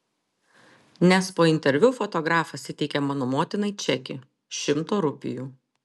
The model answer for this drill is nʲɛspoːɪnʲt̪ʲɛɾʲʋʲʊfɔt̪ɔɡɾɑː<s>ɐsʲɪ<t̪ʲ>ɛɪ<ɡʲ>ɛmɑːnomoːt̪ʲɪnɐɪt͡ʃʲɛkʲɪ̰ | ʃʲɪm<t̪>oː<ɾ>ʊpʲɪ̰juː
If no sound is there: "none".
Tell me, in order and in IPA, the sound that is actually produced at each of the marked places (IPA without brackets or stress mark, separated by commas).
f, t̪ʲ, kʲ, t̪, ɾ